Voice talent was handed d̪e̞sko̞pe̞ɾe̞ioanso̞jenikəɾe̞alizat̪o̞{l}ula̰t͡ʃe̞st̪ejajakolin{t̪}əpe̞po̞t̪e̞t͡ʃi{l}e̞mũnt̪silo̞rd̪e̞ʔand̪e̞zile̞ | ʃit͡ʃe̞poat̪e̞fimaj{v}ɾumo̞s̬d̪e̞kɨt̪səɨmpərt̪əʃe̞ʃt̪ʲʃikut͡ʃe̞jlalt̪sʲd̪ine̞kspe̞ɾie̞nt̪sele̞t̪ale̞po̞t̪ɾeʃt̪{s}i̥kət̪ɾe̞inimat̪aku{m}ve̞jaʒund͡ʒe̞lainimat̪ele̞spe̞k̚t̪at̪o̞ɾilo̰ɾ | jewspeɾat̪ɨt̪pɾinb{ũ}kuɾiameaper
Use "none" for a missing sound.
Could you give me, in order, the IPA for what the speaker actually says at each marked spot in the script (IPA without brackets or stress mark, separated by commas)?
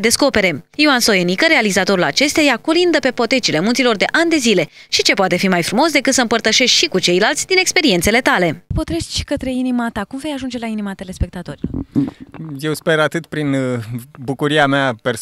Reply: ɾ, d̪, l, f, ʃ, m, u